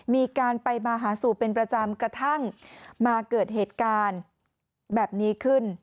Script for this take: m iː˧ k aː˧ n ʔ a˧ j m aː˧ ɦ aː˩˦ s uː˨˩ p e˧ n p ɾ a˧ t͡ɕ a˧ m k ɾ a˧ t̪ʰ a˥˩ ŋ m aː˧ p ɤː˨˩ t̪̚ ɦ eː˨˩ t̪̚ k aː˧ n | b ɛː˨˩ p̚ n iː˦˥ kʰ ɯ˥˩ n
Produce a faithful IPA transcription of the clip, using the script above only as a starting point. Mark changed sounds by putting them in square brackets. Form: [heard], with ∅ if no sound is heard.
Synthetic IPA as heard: m iː˧ k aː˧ n [p] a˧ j m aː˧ ɦ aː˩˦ s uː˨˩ p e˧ n p ɾ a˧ t͡ɕ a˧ m k ɾ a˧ t̪ʰ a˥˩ ŋ m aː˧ [k] ɤː˨˩ t̪̚ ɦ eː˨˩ t̪̚ k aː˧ n | b ɛː˨˩ p̚ n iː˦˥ kʰ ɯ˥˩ n